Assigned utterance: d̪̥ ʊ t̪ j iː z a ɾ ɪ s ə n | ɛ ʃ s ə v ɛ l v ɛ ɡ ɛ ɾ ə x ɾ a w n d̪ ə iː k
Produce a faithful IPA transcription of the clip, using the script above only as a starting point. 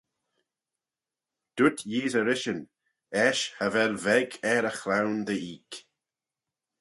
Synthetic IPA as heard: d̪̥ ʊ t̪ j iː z ə ɾ ɪ ʃ ə n | ɛ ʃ h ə v ɛ l v ɛ ɡ ɛ ɾ ə x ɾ a w n d̪ ə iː k